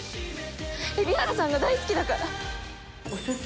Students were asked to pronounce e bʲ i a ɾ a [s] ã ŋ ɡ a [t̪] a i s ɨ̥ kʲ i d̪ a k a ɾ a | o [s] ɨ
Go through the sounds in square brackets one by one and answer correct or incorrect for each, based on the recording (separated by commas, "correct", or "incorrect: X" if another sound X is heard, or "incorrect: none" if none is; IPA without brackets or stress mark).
correct, incorrect: d̪, correct